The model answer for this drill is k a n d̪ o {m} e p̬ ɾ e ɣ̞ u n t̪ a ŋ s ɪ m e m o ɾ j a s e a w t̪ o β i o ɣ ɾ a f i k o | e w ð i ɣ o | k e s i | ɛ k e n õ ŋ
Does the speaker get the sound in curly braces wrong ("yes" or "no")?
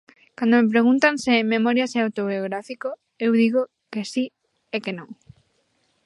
no